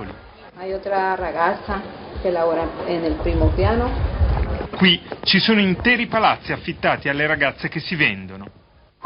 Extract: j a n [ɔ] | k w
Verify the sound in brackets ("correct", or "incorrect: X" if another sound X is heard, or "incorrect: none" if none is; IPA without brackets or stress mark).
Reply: incorrect: o